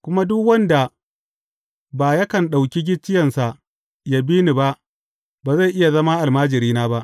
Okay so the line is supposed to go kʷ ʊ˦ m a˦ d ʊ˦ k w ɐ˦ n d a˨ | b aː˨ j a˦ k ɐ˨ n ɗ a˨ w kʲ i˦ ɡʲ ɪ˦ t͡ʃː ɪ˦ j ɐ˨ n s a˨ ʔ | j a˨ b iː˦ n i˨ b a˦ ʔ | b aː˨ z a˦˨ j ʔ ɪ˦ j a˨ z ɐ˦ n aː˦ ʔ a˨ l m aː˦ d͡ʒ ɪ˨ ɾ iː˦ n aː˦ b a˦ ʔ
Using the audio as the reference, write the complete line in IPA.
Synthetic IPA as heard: kʷ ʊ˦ m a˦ d ʊ˦ k w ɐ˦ n d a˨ | b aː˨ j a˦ k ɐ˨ n ɗ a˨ w kʲ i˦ ɡʲ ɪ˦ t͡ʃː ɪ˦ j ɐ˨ n s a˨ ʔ | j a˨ b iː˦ n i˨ b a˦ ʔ | b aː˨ z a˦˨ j ʔ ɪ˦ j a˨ z ɐ˦ m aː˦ ʔ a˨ l m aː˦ d͡ʒ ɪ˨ ɾ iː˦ n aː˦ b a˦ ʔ